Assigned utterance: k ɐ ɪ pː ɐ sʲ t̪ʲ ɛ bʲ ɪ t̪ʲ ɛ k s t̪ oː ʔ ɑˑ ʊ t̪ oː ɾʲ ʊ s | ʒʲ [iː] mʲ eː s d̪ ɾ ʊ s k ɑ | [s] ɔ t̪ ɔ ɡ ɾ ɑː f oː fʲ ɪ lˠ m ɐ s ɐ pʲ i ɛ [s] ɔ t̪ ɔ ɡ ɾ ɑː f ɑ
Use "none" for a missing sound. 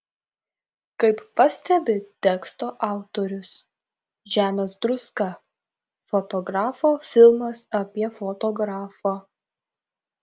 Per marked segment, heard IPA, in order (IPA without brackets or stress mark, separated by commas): æː, f, f